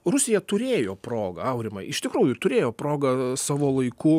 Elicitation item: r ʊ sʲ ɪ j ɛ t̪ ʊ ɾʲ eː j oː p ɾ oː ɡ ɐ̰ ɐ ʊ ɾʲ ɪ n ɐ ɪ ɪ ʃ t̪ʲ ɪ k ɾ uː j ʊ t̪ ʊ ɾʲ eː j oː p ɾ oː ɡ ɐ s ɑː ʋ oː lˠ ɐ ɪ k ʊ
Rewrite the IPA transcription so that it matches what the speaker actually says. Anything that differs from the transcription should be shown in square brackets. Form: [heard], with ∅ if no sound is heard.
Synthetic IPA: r ʊ sʲ ɪ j ɛ t̪ ʊ ɾʲ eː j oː p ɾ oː ɡ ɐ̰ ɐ ʊ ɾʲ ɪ [m] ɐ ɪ ɪ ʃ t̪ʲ ɪ k ɾ uː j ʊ t̪ ʊ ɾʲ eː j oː p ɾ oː ɡ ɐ s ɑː ʋ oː lˠ ɐ ɪ k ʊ